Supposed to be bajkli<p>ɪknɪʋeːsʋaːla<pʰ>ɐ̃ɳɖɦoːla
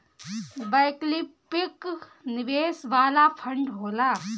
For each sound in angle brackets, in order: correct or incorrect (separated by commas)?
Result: correct, correct